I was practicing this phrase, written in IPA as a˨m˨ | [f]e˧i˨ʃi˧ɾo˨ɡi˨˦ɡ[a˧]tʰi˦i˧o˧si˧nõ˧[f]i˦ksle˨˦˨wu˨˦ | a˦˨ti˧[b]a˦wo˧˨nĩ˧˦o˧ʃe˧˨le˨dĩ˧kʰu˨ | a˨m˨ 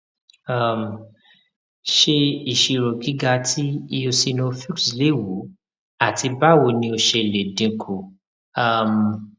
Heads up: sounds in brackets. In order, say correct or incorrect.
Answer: incorrect: ʃ, correct, correct, correct

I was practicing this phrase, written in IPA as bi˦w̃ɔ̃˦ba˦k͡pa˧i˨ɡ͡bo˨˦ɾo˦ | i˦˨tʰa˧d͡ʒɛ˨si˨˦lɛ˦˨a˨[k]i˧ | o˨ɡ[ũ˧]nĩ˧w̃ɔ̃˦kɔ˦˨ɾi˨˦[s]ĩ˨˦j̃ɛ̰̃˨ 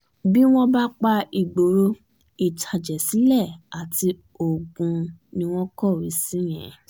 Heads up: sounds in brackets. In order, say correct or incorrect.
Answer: incorrect: t, correct, correct

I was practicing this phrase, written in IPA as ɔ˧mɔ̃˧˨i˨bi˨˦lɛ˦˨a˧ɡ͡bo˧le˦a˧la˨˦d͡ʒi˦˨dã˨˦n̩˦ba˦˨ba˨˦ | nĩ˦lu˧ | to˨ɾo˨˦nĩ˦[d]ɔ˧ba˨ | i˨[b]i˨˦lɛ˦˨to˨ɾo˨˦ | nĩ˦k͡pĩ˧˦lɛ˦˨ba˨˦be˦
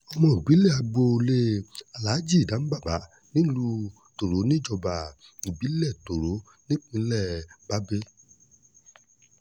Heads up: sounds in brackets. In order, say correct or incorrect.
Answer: incorrect: d͡ʒ, correct

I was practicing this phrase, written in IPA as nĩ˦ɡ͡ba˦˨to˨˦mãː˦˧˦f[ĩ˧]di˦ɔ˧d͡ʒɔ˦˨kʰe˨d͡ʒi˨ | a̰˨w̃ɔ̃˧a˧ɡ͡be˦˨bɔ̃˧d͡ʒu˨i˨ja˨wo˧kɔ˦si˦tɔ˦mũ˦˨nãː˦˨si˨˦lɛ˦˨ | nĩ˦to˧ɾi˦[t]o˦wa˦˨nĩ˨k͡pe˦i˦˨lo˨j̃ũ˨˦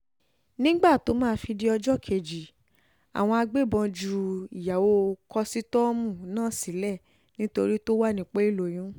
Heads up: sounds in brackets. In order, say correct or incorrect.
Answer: incorrect: i˧, correct

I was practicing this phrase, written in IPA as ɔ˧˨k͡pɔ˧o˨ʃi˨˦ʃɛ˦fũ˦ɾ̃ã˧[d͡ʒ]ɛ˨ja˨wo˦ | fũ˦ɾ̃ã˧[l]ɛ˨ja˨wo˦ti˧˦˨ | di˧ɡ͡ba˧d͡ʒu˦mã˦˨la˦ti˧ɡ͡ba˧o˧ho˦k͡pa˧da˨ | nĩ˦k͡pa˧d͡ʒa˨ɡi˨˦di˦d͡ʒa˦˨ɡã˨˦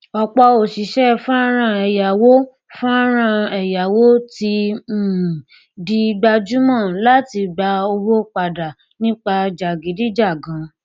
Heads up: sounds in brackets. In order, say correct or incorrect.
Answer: incorrect: none, incorrect: none

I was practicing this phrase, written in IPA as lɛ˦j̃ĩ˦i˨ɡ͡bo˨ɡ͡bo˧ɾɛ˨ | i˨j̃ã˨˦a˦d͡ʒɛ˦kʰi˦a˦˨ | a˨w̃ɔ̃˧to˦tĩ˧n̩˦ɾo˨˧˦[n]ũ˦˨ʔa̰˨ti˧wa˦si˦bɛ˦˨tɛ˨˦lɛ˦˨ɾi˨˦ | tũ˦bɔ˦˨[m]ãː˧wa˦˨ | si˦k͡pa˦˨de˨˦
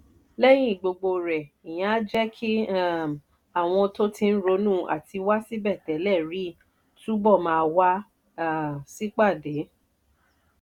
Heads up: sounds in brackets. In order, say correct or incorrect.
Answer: correct, correct

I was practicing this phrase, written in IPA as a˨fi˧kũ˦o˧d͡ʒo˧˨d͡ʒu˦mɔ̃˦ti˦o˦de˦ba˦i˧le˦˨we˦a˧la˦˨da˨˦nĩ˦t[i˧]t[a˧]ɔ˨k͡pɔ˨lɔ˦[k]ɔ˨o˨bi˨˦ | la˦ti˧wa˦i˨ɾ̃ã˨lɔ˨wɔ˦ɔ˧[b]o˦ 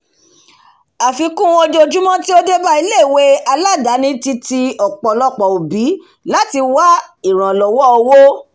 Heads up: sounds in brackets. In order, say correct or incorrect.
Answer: correct, incorrect: i˧, incorrect: k͡p, incorrect: w

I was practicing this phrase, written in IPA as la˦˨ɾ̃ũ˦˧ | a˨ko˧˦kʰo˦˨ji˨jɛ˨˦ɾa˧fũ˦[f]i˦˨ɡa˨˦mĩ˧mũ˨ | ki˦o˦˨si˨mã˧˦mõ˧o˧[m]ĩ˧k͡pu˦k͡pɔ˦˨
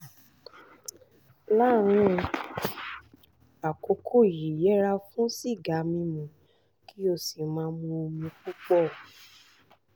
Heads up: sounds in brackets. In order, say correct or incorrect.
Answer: incorrect: s, correct

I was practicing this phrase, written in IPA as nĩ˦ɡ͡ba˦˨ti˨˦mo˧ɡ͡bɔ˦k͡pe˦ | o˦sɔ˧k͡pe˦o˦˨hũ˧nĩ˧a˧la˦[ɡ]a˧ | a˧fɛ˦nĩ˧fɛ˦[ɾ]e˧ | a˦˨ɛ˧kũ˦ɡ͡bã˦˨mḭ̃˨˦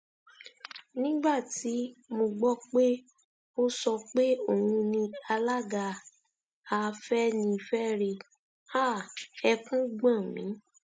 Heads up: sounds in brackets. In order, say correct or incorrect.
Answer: correct, correct

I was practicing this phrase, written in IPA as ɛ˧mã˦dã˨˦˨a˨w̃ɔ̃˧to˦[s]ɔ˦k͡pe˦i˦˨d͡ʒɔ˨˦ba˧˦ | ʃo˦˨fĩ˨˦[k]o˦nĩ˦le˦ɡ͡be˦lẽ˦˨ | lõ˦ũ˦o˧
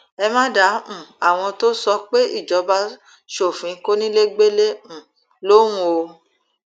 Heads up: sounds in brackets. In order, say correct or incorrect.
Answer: correct, correct

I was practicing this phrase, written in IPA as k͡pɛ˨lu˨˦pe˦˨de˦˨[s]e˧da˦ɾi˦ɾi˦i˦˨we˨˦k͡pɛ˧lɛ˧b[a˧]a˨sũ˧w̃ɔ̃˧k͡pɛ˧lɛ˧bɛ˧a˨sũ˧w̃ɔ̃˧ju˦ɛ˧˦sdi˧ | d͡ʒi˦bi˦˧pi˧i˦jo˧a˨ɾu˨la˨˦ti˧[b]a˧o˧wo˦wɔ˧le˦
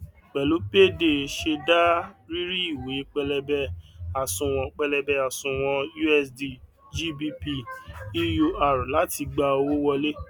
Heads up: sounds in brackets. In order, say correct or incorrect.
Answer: incorrect: ʃ, incorrect: ɛ˧, incorrect: ɡ͡b

